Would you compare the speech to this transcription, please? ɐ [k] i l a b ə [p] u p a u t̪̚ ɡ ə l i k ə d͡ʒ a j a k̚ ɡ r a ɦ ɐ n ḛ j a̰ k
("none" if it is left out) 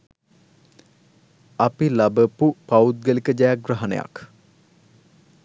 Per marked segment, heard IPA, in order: p, p

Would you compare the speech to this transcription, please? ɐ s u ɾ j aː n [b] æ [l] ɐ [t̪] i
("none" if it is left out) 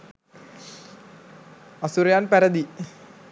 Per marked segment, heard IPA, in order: p, ɾ, d̪

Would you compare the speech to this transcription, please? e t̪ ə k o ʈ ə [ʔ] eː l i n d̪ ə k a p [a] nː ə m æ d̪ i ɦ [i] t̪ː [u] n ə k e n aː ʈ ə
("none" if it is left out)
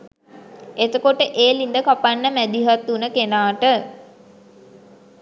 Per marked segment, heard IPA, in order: ʔ, a, a, u

